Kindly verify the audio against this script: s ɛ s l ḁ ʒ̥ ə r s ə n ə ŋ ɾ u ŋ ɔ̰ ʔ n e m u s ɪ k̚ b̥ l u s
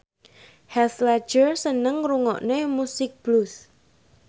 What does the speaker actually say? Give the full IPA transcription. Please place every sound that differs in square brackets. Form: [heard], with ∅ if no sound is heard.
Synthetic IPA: [h] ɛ s l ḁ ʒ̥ ə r s ə n ə ŋ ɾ u ŋ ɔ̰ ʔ n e m u s ɪ k̚ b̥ l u s